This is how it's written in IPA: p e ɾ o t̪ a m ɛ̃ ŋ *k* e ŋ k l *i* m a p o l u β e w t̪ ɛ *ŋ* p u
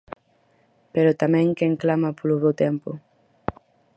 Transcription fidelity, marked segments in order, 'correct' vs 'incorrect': correct, incorrect, incorrect

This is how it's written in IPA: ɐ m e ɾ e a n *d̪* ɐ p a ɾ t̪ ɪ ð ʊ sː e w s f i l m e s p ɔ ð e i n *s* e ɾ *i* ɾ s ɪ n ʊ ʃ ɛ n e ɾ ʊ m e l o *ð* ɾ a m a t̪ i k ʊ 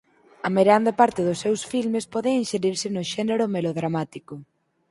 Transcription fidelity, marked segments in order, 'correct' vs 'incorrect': correct, incorrect, correct, correct

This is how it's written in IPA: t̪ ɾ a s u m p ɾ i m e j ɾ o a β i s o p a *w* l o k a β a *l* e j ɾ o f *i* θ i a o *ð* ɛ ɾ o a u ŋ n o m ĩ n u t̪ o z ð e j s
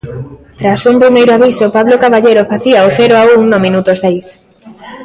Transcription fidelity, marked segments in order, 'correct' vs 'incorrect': incorrect, incorrect, incorrect, incorrect

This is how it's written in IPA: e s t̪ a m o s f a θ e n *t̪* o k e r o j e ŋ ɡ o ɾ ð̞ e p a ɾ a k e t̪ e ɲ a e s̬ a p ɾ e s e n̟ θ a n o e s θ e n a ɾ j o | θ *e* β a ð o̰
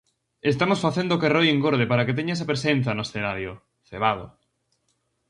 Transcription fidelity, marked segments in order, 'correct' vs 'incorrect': incorrect, correct

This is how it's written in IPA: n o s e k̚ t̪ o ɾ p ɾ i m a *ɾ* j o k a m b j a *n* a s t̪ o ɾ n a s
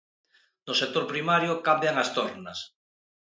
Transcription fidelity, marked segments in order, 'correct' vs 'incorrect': correct, incorrect

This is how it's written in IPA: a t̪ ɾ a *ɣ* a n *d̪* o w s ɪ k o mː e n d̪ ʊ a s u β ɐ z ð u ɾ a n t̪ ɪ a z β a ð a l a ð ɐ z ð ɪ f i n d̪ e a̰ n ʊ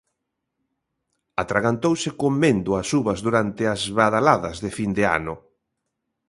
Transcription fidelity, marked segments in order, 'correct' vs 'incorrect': correct, incorrect

